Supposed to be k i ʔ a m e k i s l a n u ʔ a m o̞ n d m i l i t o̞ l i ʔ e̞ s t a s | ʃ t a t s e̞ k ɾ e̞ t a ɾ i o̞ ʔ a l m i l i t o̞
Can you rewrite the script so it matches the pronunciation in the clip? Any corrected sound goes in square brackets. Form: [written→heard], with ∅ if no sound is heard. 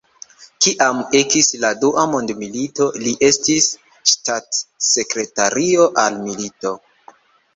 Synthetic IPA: k i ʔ a m e k i s l a [n→d] u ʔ a m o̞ n d m i l i t o̞ l i ʔ e̞ s t [a→i] s | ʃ t a t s e̞ k ɾ e̞ t a ɾ i o̞ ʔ a l m i l i t o̞